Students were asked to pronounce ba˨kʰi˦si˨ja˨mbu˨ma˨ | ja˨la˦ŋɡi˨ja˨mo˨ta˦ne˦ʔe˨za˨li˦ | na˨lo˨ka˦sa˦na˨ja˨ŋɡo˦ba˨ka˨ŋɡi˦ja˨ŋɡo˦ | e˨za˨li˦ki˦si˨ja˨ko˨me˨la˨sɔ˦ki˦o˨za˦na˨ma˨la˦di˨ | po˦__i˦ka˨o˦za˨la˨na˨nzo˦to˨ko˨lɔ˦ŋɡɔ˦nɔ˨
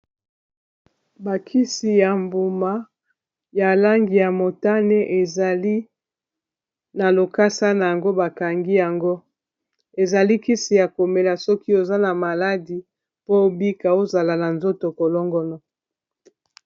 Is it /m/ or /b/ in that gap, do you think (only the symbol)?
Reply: b